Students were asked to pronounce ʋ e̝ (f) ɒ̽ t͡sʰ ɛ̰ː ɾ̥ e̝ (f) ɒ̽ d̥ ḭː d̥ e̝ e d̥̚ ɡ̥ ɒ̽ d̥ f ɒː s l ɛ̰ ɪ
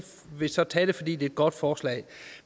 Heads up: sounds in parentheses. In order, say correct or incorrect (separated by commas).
incorrect, correct